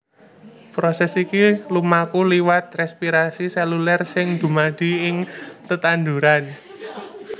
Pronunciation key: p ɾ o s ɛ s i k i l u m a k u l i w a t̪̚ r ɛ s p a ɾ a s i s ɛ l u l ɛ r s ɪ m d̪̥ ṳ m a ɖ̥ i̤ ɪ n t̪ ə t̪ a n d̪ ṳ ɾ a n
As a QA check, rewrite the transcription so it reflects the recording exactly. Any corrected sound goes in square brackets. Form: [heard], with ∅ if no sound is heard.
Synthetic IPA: p ɾ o s ɛ s i k i l u m a k u l i w a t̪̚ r ɛ s p [i] ɾ a s i s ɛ l u l ɛ r s ɪ [ŋ] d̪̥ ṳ m a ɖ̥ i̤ ɪ [ŋ] t̪ ə t̪ a n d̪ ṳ ɾ a n